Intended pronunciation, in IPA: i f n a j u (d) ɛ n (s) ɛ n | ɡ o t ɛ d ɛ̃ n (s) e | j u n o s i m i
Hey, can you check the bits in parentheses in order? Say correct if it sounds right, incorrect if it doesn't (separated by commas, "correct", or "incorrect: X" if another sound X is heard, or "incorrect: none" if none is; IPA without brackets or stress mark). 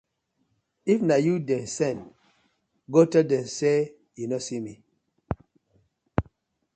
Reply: correct, correct, correct